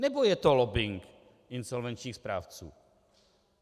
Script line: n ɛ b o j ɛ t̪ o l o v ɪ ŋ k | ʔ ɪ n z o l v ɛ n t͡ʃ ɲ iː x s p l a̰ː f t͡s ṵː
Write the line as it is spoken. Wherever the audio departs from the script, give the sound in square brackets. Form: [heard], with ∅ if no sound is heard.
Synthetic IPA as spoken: n ɛ b o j ɛ t̪ o l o [b] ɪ ŋ k | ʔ ɪ n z o l v ɛ n t͡ʃ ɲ iː x s p [ɾ] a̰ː f t͡s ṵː

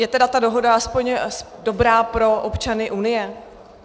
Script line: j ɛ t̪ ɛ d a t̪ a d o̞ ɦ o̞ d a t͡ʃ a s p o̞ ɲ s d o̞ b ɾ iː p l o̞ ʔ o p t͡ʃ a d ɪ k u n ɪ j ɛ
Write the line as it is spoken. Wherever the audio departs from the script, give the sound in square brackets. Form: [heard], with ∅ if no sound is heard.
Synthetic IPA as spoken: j ɛ t̪ ɛ d a t̪ a d o̞ ɦ o̞ d a [∅] a s p o̞ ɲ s d o̞ b ɾ [aː] p [ɾ] o̞ ʔ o p t͡ʃ a [n] ɪ [ʔ] u n ɪ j ɛ

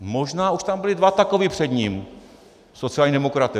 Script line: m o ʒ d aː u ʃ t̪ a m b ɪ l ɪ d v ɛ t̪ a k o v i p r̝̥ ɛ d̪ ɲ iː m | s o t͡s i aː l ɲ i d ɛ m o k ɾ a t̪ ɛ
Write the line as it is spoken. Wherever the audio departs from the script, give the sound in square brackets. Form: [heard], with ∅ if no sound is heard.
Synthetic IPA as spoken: m o ʒ [n] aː u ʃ t̪ a m b ɪ l ɪ d v [a] t̪ a k o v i p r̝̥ ɛ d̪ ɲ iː m | s o t͡s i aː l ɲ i d ɛ m o k ɾ a t̪ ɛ

